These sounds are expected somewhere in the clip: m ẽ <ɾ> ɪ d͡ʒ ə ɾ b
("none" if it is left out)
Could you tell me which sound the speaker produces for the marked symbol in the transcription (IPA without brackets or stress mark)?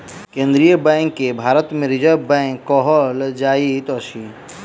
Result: ɾ